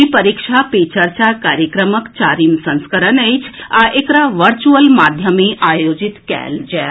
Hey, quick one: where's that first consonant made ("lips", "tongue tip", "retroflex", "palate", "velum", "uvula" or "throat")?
lips